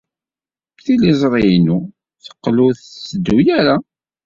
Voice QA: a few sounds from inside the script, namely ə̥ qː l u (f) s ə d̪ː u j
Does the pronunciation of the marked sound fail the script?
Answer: yes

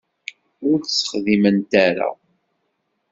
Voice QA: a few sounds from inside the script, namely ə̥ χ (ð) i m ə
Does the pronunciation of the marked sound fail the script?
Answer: no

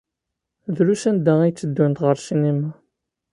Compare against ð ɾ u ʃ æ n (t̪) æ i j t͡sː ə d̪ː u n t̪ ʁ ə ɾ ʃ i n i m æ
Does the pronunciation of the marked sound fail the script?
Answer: yes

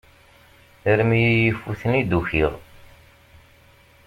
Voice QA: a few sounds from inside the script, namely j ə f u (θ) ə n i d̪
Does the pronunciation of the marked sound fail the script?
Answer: no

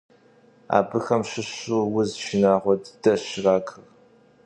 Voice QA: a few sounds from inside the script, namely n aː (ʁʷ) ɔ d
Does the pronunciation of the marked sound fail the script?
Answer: no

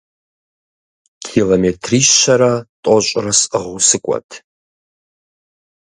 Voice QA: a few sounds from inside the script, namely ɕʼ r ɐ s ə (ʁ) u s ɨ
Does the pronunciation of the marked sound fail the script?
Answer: no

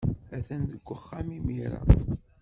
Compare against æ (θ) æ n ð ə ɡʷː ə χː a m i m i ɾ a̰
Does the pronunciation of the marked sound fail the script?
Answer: no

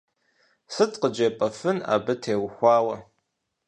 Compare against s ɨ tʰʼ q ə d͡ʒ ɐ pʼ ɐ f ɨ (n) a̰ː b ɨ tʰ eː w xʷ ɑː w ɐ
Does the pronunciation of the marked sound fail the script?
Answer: no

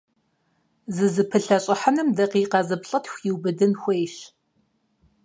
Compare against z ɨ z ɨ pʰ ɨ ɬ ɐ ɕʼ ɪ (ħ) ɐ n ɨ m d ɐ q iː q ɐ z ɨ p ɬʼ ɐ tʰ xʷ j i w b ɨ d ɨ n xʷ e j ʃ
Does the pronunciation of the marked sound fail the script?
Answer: no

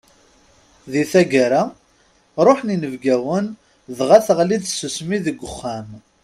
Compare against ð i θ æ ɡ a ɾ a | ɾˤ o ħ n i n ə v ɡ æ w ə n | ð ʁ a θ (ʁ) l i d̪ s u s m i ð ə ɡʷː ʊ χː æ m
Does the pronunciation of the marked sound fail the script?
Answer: no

